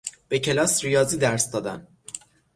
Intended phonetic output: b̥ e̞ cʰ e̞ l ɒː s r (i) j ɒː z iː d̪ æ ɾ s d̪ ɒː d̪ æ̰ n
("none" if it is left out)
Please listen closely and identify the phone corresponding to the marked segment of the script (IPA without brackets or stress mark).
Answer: i